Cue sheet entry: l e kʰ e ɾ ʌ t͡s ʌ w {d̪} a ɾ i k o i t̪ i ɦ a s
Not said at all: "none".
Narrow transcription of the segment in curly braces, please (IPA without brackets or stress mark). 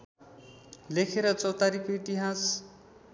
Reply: t̪